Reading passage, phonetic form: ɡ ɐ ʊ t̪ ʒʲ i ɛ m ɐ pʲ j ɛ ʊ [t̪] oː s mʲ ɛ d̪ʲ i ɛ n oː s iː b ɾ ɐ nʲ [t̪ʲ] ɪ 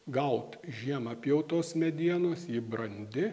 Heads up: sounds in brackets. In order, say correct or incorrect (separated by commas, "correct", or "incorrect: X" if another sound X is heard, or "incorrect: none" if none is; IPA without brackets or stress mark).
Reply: correct, incorrect: d̪ʲ